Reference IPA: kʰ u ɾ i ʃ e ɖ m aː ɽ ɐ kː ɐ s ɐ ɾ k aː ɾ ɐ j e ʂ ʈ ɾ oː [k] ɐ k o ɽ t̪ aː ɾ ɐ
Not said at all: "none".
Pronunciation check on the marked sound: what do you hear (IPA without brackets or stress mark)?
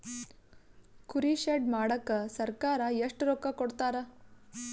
k